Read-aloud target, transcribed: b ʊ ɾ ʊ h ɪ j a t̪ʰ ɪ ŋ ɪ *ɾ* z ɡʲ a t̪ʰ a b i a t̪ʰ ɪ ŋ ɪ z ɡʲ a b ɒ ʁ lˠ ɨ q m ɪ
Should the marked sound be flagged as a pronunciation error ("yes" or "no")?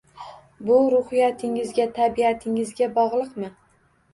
yes